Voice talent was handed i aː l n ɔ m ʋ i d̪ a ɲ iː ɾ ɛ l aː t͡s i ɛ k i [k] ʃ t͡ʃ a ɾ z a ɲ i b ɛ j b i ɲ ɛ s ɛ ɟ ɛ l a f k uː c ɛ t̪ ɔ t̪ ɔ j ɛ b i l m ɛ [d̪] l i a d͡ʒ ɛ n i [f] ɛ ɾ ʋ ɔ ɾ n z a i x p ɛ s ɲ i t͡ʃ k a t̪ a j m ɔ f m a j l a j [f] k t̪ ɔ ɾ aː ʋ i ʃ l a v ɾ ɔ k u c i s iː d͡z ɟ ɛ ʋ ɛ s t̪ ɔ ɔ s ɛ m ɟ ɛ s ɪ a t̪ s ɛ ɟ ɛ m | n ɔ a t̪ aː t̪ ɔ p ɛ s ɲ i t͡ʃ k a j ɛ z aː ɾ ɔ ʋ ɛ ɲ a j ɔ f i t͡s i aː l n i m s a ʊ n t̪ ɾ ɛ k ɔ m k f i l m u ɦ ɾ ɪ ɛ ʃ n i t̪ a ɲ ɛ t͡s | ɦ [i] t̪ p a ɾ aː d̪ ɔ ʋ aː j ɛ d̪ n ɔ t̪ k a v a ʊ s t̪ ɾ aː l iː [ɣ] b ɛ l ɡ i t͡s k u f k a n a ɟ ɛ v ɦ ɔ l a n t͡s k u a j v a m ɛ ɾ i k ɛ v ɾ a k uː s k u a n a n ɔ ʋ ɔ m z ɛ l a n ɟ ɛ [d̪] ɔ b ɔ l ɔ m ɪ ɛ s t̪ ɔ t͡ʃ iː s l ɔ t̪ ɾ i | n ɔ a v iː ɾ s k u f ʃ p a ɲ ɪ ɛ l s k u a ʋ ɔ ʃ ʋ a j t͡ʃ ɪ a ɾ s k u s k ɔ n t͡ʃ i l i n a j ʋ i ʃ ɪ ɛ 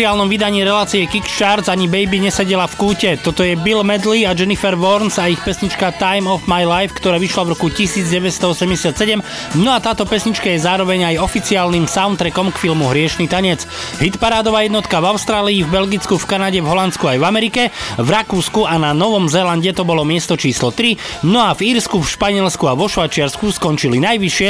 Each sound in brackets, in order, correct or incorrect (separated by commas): correct, correct, correct, correct, correct, incorrect, incorrect